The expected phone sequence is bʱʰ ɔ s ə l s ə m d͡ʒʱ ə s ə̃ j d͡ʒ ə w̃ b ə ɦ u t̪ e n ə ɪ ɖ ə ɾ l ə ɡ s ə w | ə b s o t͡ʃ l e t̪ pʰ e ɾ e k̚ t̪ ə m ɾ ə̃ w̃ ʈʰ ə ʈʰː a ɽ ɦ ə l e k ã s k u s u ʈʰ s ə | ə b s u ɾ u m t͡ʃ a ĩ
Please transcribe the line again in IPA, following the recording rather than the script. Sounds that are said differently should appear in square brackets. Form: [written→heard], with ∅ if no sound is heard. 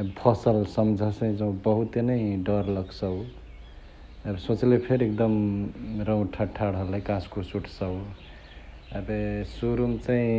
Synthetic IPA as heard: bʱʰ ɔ s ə l s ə m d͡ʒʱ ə s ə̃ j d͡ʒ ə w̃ b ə ɦ u t̪ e n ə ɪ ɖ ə ɾ l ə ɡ s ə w | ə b s o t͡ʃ l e [t̪→∅] pʰ e ɾ e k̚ [t̪→d̪] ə m ɾ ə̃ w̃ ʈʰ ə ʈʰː a ɽ ɦ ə l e k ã s k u s u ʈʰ s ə | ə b s u ɾ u m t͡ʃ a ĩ